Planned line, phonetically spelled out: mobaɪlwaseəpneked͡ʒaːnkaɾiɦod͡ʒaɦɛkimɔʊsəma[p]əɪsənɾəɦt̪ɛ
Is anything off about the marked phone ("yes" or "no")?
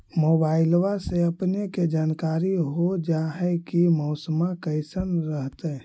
yes